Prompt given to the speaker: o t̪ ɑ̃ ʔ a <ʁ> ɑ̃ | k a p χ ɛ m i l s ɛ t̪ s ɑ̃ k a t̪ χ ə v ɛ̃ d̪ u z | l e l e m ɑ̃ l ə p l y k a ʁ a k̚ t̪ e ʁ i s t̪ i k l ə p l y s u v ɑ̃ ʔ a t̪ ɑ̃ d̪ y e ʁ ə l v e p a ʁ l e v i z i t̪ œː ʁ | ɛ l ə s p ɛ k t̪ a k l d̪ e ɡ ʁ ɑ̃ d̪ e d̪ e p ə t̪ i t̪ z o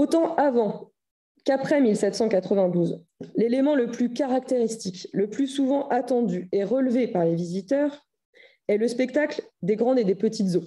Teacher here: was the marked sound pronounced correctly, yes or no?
no